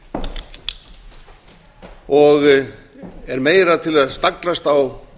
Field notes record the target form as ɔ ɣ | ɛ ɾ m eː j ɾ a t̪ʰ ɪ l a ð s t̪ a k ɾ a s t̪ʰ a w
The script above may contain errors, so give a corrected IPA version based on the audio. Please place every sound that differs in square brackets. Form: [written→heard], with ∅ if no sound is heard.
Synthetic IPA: ɔ ɣ | ɛ ɾ m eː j ɾ a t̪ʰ ɪ l a ð s t̪ a k [ɾ→l] a s [t̪ʰ→t̪] a w